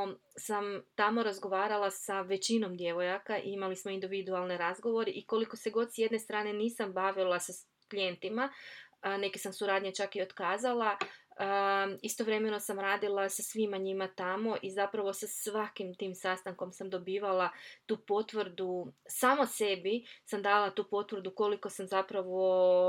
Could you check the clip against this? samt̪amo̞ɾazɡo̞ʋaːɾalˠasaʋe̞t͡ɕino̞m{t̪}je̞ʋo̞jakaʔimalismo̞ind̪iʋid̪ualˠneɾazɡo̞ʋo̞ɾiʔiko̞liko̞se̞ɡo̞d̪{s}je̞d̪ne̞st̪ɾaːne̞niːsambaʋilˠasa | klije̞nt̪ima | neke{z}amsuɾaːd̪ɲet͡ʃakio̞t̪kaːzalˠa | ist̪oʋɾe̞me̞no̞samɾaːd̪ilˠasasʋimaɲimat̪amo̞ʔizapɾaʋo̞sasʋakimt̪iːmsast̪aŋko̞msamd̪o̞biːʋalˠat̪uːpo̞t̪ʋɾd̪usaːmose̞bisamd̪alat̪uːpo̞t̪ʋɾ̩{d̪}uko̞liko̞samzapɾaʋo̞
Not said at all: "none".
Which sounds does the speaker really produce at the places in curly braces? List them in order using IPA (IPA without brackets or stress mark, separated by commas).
d̪, s, s, d̪